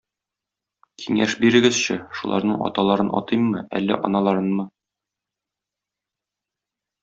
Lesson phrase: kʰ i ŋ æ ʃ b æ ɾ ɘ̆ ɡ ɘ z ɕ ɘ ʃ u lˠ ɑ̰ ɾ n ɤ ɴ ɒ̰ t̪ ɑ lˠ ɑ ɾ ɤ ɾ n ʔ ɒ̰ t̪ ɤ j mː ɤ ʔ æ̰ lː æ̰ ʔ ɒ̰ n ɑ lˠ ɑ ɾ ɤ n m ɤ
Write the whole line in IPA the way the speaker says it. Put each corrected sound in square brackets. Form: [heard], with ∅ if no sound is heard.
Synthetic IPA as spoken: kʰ i ŋ æ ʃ b [i] ɾ ɘ̆ ɡ ɘ z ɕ ɘ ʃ u lˠ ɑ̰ ɾ n ɤ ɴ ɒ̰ t̪ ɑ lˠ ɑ ɾ ɤ [∅] n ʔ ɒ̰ t̪ ɤ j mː ɤ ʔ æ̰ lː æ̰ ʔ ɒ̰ n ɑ lˠ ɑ ɾ ɤ n m ɤ